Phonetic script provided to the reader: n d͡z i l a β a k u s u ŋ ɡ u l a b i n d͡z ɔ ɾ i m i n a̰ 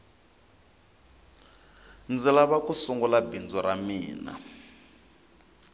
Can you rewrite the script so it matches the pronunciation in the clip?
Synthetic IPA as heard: n d͡z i l a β a k u s u ŋ ɡ u l a b i n d͡z ɔ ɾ a m iː n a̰